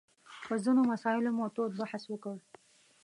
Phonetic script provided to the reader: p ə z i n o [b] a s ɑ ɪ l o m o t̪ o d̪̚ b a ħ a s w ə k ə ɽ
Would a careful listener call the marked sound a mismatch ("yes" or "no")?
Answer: yes